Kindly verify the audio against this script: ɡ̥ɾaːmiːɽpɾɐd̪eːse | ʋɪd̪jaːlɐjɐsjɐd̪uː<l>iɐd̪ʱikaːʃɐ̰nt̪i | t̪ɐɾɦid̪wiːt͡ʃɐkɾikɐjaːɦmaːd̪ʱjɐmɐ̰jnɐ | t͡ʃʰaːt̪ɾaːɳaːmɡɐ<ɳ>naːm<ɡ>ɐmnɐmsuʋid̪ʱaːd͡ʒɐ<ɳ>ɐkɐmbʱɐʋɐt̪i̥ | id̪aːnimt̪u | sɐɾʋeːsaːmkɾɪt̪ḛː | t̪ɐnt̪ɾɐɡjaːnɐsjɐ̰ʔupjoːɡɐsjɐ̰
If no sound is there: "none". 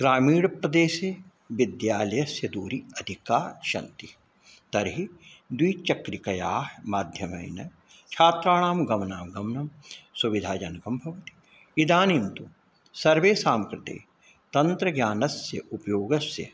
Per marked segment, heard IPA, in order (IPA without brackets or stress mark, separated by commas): ɾ, m, ɡ, n